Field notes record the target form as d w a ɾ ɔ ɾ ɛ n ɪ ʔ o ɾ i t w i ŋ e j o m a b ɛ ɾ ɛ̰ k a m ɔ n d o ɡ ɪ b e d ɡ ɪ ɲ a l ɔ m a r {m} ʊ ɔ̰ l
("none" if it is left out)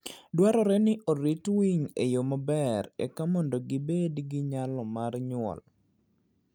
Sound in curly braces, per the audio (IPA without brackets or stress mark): ɲ